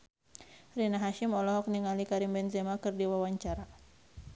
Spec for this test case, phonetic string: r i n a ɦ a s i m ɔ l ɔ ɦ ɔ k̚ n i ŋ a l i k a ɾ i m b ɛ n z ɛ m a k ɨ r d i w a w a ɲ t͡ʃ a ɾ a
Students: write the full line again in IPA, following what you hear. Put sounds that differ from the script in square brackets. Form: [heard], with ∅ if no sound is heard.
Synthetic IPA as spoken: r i n a ɦ a [ʃ] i m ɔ l ɔ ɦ ɔ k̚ n i ŋ a l i k a ɾ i m b ɛ n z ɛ m a k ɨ r d i w a w a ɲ t͡ʃ a ɾ a

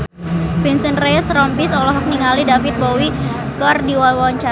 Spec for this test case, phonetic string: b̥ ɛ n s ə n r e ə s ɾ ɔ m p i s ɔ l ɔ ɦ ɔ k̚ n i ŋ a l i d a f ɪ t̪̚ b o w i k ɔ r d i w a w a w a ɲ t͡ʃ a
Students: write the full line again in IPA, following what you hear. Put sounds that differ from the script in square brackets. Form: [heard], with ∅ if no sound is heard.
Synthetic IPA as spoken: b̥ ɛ n s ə n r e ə s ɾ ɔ m p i s ɔ l ɔ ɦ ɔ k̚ n i ŋ a l i d a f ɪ t̪̚ b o w i k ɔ r d i w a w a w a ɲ t͡ʃ a

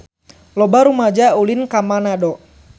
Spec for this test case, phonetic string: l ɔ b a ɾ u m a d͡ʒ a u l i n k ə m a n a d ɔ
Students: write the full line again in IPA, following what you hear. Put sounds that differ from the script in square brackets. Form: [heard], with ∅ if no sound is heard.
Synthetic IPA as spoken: l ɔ b a ɾ u m a d͡ʒ a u l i n k [a] m a n a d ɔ

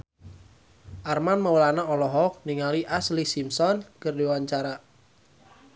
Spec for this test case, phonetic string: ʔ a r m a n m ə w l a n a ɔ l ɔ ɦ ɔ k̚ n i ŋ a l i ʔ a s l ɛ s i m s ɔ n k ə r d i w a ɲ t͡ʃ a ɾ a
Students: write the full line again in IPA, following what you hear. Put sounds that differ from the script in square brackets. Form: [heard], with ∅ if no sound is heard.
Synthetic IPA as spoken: ʔ a r m a n m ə w l a n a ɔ l ɔ ɦ ɔ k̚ n i ŋ a l i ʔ a s l [i] s i m s ɔ n k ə r d i w a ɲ t͡ʃ a ɾ a

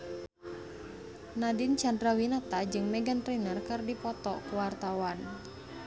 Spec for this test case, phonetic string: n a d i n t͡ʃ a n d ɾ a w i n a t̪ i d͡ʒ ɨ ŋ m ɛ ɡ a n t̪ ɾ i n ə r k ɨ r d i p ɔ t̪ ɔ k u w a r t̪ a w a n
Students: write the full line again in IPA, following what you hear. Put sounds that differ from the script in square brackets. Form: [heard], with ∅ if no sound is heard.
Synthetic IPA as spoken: n a d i n t͡ʃ a n d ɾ a w i n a t̪ [a] d͡ʒ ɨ ŋ m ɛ ɡ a n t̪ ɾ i n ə r k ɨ r d i p ɔ t̪ ɔ k u w a r t̪ a w a n

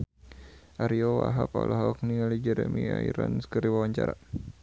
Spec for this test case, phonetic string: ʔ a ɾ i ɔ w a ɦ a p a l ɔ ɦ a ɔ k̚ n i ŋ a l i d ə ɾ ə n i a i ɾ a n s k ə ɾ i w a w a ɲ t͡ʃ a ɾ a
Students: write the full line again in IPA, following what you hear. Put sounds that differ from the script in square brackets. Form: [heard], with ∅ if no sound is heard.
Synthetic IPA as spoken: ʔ a ɾ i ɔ w a ɦ a p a l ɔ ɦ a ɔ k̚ n i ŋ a l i [d͡ʒ] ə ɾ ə [m] i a i ɾ a n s k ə ɾ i w a w a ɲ t͡ʃ a ɾ a

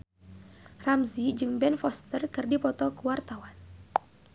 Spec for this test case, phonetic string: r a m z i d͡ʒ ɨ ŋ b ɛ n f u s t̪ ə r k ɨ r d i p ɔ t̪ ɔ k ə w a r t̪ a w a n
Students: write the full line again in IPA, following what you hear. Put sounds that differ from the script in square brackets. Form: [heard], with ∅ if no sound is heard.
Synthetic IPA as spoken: r a m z i d͡ʒ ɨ ŋ b ɛ n f [ɔ] s t̪ ə r k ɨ r d i p ɔ t̪ ɔ k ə w a r t̪ a w a n

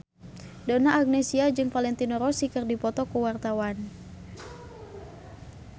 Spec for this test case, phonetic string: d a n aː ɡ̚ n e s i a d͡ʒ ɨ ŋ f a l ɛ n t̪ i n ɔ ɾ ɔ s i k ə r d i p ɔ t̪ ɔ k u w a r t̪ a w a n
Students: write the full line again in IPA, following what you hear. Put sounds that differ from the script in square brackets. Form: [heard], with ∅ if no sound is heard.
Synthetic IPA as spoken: d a n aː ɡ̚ n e s i a d͡ʒ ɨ ŋ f a l ɛ n t̪ i n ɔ ɾ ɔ s i k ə r d i p ɔ t̪ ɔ k u w a r t̪ a w a n

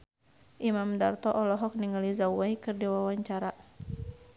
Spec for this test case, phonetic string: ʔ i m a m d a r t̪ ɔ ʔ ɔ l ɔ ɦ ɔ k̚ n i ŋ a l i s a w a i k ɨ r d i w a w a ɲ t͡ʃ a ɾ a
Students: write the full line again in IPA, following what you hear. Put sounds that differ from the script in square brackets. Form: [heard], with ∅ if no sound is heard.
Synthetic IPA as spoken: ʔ i m a m d a r t̪ ɔ ʔ ɔ l ɔ ɦ ɔ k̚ n i ŋ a l i [z] a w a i k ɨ r d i w a w a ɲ t͡ʃ a ɾ a

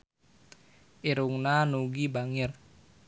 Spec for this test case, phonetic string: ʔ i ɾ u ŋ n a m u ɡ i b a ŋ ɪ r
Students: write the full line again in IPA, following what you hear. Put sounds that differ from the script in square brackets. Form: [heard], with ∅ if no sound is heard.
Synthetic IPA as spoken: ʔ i ɾ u ŋ n a [n] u ɡ i b a ŋ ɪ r

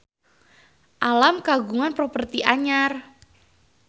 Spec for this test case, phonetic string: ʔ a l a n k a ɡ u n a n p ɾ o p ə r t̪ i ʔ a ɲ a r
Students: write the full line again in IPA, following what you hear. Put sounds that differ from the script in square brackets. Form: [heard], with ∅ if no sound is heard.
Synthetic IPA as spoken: ʔ a l a [m] k a ɡ u [ŋ] a n p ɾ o p ə r t̪ i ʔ a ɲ a r

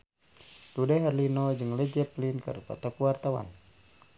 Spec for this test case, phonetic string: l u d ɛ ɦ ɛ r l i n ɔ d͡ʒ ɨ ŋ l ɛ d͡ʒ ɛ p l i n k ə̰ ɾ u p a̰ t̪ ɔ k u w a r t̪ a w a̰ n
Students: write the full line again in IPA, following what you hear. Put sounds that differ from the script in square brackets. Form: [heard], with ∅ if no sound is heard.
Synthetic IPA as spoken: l u d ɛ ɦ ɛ r l i n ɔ d͡ʒ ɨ ŋ l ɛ d͡ʒ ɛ p l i n k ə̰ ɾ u p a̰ t̪ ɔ k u w a r t̪ a w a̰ n

